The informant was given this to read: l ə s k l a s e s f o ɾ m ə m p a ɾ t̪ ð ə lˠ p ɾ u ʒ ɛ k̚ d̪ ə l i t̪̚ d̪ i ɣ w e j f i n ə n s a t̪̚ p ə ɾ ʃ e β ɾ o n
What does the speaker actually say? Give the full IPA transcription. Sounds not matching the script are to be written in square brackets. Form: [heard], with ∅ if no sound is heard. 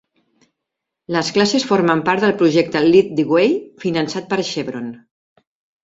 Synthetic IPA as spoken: l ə s k l a s e s f o ɾ m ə m p a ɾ t̪ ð ə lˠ p ɾ u ʒ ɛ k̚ [t̪] ə l i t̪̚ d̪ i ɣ w e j f i n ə n s a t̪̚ p ə ɾ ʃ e β ɾ o n